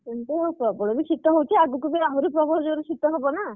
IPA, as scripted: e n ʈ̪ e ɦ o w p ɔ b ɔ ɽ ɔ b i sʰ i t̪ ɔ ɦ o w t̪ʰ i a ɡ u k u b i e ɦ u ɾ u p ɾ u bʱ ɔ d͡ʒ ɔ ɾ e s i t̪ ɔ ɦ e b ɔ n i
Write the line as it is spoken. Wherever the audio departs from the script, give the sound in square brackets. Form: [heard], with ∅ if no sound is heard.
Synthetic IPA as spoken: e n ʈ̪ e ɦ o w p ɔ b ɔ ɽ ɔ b i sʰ i t̪ ɔ ɦ o w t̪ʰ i a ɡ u k u b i [a] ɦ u ɾ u p ɾ [ɔ] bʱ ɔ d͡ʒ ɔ ɾ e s i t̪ ɔ ɦ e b ɔ n [a]